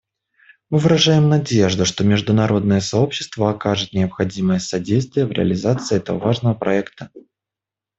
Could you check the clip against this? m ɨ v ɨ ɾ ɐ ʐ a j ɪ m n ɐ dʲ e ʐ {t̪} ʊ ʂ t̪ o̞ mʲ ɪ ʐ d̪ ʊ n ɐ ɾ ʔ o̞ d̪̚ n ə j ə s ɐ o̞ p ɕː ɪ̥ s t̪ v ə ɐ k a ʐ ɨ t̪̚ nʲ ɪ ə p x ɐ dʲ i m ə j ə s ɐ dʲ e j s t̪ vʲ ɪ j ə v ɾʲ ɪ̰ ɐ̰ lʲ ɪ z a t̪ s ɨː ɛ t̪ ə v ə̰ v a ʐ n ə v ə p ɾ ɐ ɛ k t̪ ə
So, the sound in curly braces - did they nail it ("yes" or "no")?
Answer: no